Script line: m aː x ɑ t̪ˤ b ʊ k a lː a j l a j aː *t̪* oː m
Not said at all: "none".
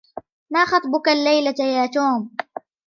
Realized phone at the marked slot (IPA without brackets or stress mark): t̪